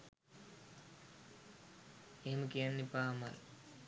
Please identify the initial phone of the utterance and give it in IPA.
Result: e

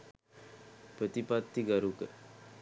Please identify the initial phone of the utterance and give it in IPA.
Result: p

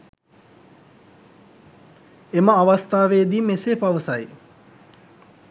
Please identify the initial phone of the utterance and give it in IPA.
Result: e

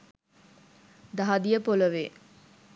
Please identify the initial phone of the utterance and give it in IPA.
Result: d̪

